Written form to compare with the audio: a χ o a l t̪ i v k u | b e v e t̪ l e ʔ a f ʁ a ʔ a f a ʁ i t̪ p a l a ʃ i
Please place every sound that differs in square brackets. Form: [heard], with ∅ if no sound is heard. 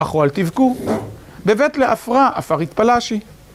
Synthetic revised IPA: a χ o a l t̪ i v k u | b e v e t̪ l e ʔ a f ʁ a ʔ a f a ʁ i t̪ p a l a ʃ i